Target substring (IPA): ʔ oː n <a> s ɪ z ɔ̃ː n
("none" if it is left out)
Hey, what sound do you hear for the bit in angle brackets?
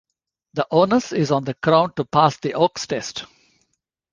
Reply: ə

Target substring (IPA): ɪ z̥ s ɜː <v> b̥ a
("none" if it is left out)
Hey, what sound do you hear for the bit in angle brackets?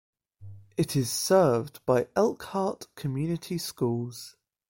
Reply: v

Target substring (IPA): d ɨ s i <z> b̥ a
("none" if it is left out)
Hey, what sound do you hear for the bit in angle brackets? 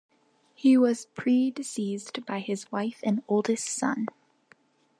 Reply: z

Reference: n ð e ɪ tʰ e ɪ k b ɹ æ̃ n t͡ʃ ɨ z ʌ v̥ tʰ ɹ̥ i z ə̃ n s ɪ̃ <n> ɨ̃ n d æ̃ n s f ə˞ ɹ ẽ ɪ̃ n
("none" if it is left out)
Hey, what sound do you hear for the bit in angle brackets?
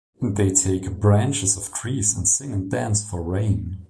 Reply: ŋ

